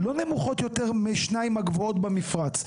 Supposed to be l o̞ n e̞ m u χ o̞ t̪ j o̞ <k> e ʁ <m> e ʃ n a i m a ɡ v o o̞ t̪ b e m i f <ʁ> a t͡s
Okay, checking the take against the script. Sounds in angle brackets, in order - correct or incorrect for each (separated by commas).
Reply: incorrect, correct, correct